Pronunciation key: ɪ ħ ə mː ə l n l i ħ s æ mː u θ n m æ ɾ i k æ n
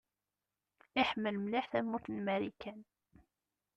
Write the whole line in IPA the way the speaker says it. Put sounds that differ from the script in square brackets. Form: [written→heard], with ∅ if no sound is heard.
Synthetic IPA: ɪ ħ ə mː ə l [n→m] l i ħ [s→θ] æ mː u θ n m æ ɾ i k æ n